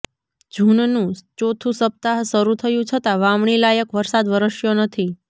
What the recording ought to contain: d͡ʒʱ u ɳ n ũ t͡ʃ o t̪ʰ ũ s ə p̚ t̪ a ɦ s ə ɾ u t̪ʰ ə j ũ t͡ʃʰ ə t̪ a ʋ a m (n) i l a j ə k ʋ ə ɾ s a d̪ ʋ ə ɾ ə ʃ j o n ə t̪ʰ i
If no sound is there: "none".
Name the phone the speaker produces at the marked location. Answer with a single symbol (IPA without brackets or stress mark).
ɳ